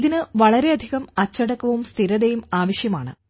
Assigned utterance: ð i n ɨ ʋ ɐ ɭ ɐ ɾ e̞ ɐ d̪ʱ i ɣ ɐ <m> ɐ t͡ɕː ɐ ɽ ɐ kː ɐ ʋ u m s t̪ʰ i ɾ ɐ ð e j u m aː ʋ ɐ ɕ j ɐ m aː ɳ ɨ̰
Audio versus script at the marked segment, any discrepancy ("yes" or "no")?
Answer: no